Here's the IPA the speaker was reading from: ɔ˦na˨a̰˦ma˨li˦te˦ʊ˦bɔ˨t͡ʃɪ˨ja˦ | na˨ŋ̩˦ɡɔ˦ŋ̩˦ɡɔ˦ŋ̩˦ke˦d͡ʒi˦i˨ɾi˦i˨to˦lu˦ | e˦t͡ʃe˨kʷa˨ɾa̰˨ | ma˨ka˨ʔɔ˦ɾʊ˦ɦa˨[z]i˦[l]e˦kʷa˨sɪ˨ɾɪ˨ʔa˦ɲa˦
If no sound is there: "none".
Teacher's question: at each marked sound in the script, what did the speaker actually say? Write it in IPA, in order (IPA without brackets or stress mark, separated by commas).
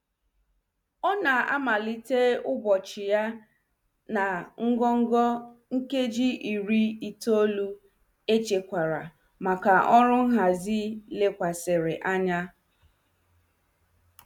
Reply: z, l